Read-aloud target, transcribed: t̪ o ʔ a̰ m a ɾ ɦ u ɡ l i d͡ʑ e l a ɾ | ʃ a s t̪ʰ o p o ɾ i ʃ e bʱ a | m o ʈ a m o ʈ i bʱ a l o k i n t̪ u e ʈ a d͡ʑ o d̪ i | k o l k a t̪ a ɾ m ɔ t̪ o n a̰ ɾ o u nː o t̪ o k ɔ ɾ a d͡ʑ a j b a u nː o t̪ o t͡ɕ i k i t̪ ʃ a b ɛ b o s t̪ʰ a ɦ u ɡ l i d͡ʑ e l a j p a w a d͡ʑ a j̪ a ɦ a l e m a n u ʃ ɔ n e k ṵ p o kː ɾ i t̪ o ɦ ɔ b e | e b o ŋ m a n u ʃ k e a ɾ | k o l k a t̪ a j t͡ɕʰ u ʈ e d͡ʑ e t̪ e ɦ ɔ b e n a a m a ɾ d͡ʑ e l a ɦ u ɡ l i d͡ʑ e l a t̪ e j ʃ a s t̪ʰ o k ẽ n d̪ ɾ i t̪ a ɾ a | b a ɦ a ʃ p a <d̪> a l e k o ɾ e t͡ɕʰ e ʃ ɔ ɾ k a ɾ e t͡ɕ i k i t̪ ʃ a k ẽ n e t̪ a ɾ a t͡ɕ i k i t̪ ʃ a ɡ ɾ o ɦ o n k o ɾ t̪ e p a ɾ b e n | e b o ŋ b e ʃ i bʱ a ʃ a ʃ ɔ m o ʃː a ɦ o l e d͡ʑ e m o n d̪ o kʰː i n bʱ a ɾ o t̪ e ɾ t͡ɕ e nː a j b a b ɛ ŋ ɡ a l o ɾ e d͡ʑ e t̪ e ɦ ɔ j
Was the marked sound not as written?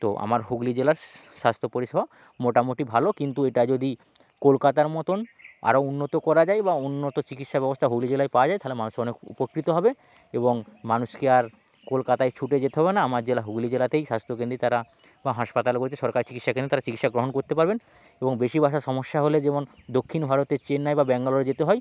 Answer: yes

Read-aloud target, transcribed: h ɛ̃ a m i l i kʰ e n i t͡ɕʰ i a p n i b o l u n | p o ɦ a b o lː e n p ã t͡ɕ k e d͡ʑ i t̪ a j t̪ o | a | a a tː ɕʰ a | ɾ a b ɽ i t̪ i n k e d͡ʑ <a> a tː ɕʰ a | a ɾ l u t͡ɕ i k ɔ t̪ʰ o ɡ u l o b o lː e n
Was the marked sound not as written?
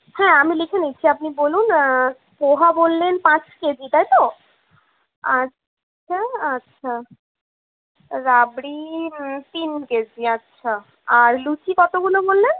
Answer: yes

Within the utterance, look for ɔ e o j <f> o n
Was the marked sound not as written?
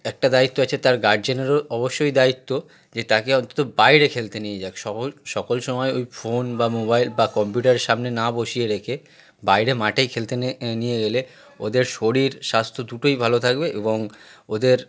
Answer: no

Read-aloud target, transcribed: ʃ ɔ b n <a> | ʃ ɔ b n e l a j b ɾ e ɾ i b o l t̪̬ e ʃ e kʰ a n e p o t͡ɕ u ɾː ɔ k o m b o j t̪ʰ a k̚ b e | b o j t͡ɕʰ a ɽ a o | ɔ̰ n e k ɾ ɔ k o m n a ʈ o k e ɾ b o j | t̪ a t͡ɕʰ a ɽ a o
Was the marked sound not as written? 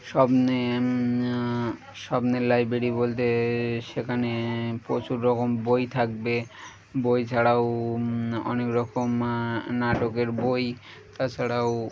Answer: yes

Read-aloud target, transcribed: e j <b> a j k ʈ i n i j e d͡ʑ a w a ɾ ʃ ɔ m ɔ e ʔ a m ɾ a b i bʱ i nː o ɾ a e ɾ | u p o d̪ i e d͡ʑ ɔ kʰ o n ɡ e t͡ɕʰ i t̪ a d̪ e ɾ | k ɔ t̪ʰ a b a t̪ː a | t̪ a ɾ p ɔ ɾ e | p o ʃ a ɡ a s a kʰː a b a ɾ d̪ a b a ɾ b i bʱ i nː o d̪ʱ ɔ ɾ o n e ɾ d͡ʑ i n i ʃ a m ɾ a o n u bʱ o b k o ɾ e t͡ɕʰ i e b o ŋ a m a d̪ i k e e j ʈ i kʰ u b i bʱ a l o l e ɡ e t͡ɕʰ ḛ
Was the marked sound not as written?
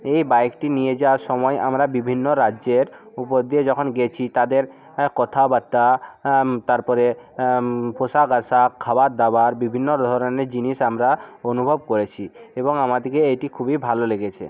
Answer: no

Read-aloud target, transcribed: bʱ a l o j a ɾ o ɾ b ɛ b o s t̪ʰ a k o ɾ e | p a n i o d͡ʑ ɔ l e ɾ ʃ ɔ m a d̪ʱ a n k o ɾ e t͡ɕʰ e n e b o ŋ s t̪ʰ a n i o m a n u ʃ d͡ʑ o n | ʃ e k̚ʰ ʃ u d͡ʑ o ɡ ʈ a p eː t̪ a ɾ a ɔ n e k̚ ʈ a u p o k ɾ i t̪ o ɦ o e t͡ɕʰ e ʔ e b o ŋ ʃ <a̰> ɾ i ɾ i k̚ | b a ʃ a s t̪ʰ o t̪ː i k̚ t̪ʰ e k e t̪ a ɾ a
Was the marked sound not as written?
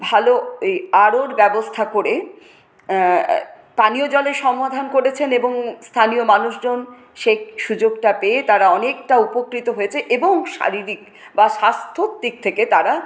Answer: no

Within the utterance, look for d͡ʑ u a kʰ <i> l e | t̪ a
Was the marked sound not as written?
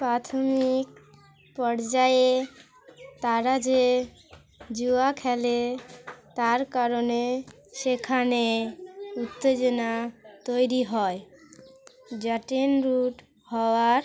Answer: yes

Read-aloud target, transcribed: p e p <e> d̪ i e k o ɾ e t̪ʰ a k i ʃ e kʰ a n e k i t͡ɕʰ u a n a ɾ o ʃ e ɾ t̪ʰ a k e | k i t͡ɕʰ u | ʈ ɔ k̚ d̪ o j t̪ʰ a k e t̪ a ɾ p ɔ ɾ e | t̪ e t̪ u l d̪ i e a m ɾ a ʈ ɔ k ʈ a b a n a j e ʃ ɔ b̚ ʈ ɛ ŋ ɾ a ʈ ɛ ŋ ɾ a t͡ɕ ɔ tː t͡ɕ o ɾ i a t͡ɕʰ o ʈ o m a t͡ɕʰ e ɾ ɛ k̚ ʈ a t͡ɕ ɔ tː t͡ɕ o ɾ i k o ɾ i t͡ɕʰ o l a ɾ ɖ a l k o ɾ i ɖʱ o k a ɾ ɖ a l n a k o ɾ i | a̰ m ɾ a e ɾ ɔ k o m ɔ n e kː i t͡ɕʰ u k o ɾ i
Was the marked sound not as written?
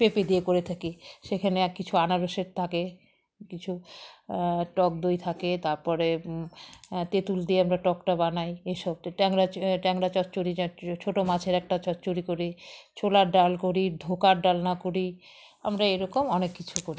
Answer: no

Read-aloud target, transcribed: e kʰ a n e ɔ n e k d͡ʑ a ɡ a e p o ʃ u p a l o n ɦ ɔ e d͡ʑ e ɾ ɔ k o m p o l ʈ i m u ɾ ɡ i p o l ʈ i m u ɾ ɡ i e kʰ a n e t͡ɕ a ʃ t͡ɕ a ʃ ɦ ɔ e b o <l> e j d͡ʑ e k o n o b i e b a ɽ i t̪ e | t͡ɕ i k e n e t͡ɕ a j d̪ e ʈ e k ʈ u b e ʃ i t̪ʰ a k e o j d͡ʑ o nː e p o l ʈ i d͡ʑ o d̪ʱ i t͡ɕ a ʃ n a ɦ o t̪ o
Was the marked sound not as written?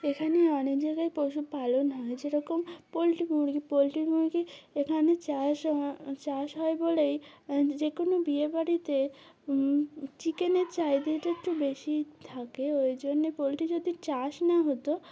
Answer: no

